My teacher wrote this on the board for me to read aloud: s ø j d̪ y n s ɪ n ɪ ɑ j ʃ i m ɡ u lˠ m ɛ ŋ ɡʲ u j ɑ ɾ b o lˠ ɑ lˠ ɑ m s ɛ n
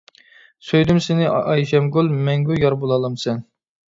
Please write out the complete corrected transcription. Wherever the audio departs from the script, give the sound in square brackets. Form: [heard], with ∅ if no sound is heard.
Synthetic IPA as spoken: s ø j d̪ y [m] s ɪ n ɪ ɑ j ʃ [ɛ] m ɡ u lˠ m ɛ ŋ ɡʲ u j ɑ ɾ b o lˠ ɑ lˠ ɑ m s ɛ n